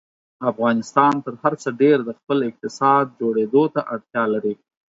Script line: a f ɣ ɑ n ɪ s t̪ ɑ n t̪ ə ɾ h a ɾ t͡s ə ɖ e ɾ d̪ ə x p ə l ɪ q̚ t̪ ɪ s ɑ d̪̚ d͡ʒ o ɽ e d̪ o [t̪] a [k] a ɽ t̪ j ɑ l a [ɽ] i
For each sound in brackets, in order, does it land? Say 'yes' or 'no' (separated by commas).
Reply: yes, no, no